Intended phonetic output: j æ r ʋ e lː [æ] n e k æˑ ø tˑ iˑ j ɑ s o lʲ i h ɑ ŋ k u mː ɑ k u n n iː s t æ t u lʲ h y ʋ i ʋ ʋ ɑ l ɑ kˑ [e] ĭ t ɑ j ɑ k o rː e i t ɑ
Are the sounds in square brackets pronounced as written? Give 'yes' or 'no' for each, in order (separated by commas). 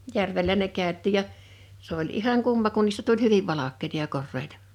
yes, yes